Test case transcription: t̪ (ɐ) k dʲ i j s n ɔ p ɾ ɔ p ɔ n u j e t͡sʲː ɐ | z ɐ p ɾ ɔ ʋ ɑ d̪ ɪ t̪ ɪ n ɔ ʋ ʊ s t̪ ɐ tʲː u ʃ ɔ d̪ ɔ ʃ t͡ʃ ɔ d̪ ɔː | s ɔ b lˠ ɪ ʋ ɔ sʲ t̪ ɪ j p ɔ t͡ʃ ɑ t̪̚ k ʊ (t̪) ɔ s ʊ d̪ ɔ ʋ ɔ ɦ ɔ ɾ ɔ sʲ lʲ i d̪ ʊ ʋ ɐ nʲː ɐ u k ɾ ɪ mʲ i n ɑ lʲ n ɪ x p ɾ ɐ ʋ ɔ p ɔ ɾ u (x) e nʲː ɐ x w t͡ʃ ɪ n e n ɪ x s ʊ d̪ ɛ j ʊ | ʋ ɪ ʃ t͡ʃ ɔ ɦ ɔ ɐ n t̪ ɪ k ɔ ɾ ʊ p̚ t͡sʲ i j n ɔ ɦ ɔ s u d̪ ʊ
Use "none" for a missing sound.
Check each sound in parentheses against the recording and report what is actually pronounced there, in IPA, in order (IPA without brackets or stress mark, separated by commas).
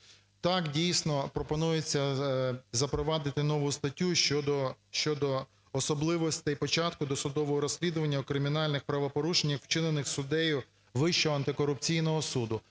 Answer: ɑ, d̪, ʃ